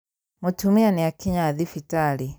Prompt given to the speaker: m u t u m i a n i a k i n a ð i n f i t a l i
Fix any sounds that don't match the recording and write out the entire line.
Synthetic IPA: m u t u m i a n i a k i ɲ a ð i f i t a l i

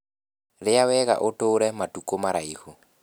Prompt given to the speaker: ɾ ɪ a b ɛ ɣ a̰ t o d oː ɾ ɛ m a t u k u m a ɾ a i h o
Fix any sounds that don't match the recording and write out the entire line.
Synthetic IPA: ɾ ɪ a w ɛ ɣ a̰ ʔ o t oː ɾ ɛ m a t u k o m a ɾ a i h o

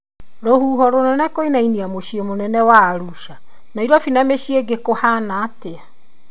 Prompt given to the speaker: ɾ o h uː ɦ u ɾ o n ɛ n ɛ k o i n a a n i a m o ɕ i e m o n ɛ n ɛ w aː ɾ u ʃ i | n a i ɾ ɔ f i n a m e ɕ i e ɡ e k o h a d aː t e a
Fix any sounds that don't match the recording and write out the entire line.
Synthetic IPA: ɾ o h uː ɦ ɔ ɾ o n ɛ n ɛ k o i n a i n i a m o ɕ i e m o n ɛ n ɛ w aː ɾ u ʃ a | n a i ɾ ɔ f i n a m e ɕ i e ɡ e k o h a n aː t e a

